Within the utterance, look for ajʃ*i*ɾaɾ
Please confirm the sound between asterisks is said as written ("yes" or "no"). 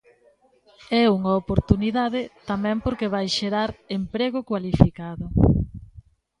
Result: no